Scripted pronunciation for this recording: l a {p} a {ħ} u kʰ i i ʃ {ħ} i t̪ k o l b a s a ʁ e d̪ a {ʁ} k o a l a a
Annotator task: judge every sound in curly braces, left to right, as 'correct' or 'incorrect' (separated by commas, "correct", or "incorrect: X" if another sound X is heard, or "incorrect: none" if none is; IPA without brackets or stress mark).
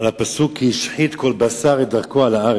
correct, incorrect: s, correct, correct